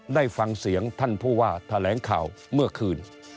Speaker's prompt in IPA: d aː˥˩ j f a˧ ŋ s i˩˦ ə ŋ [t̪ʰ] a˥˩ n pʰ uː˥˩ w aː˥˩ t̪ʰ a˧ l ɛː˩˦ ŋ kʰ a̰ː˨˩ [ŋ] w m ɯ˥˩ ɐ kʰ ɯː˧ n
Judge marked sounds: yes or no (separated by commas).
yes, no